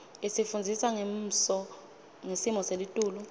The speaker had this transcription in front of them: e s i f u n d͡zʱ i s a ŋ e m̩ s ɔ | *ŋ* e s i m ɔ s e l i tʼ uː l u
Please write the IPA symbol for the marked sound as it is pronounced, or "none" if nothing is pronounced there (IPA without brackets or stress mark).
ŋ